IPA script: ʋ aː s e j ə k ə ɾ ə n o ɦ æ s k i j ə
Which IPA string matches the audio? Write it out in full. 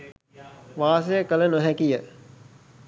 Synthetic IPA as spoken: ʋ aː s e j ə k ə l ə n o ɦ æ k i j ə

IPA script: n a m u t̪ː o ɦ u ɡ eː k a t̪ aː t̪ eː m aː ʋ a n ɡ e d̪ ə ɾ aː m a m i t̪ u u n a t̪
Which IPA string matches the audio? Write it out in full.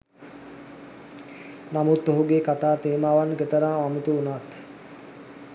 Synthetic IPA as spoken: n a m u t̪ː o ɦ u ɡ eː k a t̪ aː t̪ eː m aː ʋ a n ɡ e t̪ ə ɾ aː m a m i t̪ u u n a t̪

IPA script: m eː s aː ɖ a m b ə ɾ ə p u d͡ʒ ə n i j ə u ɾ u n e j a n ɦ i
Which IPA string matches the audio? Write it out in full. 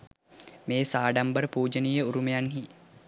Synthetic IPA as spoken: m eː s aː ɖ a m b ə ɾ ə p uː d͡ʒ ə n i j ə u ɾ u m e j a n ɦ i

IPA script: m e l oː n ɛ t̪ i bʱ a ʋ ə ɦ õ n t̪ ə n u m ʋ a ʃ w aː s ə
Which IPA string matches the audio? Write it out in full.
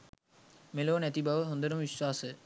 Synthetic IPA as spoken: m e l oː n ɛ t̪ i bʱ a ʋ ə ɦ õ n d̪ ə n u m ʋ i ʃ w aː s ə

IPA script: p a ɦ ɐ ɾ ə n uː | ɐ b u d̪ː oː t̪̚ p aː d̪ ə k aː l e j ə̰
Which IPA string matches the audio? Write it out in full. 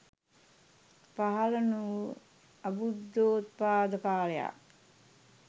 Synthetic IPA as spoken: p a ɦ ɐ l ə n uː | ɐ b u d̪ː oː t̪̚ p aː d̪ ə p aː l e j a̰

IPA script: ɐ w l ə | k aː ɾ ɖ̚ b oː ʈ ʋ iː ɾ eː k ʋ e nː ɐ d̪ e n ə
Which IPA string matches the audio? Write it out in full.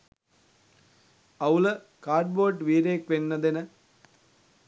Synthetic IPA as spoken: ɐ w l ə | k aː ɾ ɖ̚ b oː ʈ ʋ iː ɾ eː k ʋ e nː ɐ d̪ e n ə

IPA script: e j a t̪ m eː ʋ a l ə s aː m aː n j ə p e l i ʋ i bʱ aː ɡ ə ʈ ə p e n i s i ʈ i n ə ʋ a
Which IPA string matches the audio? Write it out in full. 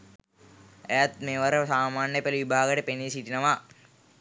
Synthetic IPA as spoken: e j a t̪ m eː ʋ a ɾ ə s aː m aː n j ə p e l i ʋ i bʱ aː ɡ ə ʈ ə p e n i s i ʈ i n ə ʋ a

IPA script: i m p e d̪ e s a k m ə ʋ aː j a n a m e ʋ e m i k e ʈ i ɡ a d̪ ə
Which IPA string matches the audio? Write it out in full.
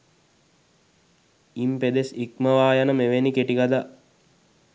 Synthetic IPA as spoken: i m p e d̪ e s i k m ə ʋ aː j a n ə m e ʋ e n i k e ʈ i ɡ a d̪ a

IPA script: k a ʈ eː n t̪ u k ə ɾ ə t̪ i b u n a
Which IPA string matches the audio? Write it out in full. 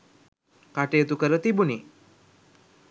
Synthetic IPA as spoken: k a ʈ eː t̪ u k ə ɾ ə t̪ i b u n i

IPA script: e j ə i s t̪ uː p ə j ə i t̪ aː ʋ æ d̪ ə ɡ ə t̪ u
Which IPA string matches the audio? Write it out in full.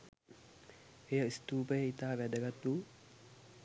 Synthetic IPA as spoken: e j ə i s t̪ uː p ə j ə i t̪ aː ʋ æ d̪ ə ɡ a t̪ u

